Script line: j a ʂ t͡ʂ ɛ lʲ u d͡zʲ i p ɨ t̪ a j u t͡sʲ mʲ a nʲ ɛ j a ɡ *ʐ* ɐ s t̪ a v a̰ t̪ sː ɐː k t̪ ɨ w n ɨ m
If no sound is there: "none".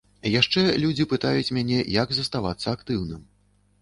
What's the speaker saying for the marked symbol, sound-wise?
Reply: z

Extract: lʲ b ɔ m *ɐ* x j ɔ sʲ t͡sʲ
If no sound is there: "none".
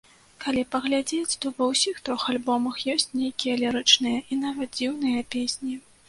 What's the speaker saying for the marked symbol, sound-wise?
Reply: ɐ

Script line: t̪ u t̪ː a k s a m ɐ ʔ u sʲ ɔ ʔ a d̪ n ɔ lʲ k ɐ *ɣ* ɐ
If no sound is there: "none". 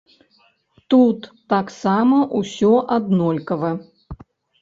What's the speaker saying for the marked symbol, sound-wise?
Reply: v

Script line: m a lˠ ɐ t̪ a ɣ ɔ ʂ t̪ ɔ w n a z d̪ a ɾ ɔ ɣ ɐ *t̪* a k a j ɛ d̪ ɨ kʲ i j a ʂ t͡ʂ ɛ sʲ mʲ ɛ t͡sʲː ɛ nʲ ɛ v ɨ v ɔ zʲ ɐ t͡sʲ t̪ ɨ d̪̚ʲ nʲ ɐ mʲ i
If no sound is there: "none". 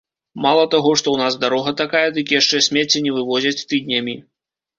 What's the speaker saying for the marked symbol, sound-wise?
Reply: t̪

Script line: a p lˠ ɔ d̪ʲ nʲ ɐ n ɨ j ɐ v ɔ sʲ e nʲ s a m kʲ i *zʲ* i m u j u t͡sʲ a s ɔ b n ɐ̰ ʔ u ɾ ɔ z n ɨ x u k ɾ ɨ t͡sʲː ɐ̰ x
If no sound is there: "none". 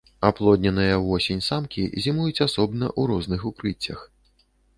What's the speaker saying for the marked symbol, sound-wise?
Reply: zʲ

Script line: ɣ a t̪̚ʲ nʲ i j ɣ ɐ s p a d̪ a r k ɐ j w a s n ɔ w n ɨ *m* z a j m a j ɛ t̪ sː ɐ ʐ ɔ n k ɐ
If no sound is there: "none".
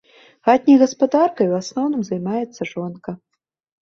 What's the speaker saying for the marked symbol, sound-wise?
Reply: m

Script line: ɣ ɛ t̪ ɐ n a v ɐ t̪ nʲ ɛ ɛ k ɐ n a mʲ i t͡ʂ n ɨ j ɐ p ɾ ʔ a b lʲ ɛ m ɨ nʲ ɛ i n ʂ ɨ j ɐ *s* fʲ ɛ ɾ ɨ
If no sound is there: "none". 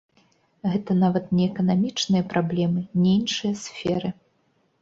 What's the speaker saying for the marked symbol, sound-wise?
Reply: s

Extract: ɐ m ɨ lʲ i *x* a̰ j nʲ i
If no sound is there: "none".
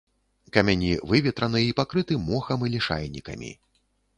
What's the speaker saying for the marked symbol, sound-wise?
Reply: ʂ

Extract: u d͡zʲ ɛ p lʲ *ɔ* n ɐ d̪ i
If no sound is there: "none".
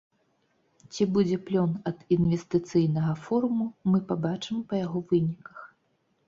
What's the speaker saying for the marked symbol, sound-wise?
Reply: ɔ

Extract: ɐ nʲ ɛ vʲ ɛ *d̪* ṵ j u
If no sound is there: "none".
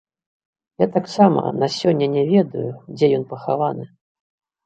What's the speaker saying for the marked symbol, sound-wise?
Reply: d̪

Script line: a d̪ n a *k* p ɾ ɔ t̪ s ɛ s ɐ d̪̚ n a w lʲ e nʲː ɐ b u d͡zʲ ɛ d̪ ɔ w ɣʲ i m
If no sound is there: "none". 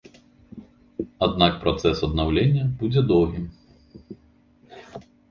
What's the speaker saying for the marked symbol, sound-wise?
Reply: k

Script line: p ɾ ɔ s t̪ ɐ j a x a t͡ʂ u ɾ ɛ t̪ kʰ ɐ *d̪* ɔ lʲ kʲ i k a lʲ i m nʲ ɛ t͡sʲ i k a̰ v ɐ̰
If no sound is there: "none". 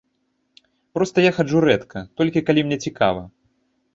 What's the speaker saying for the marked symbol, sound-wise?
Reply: t̪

